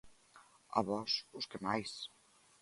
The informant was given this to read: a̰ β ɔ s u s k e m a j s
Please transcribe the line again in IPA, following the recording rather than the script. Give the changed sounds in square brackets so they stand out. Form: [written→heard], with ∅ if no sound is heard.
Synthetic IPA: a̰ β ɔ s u s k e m a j s